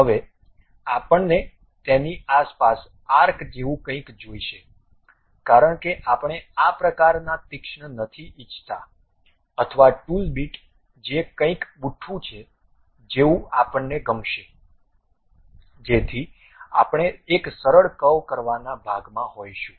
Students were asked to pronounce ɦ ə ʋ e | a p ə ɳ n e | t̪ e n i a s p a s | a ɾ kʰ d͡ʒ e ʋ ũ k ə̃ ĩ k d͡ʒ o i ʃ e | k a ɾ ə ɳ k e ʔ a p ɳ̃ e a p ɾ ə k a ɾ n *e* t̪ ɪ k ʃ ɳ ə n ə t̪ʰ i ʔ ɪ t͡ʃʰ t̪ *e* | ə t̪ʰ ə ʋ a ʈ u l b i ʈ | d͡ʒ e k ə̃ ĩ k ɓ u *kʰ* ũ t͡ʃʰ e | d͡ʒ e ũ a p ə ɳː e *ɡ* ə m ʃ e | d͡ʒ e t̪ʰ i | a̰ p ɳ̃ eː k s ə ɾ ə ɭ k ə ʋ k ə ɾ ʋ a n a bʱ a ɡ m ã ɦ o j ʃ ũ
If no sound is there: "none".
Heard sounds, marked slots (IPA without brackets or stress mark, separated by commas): a, a, ʈʰ, ɡ